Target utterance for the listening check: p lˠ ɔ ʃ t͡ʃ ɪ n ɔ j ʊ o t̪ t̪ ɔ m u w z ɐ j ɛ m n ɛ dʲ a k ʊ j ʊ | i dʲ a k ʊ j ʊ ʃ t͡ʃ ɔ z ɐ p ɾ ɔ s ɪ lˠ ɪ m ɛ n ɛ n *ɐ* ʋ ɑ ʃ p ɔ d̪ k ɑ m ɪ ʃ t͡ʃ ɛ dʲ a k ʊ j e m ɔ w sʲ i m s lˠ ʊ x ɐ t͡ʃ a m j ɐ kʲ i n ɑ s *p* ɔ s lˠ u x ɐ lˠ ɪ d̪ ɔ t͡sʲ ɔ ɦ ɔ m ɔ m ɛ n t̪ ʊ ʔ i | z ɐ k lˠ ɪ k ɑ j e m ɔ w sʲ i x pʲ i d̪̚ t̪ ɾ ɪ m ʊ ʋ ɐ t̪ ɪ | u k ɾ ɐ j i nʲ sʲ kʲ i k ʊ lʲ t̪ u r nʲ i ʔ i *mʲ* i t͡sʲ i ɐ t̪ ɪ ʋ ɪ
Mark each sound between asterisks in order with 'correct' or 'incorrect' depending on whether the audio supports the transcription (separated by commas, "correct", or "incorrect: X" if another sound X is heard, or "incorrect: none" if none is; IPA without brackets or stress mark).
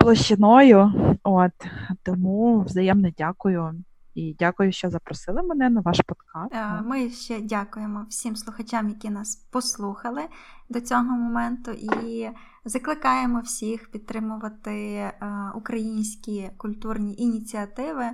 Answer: correct, correct, incorrect: nʲ